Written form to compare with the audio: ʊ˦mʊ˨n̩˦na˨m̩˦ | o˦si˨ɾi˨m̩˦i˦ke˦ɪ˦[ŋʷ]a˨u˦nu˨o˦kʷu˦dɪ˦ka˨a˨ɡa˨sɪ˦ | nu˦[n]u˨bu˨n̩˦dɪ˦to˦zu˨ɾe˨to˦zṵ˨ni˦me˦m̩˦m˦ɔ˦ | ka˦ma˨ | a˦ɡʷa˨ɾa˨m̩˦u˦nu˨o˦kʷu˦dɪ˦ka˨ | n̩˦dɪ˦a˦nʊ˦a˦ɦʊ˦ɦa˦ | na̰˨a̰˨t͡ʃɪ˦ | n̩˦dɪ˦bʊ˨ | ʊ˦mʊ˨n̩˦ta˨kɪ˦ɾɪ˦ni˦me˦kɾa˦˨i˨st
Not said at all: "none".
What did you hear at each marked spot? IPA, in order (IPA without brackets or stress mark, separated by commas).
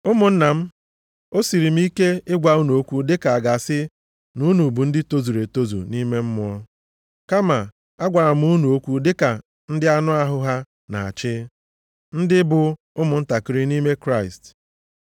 ɡʷ, n